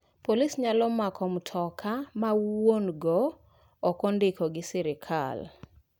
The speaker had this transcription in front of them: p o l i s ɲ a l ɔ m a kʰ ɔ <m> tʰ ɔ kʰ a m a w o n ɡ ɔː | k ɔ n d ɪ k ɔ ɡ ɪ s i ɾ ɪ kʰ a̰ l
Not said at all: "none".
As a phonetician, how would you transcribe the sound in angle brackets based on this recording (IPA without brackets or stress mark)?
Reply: m